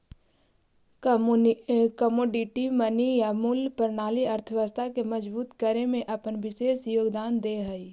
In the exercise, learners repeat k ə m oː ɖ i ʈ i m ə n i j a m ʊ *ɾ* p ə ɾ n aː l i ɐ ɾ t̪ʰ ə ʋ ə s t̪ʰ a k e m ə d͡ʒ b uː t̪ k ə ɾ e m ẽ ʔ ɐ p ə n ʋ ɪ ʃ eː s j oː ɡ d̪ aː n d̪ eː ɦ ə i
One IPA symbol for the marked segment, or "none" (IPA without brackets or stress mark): l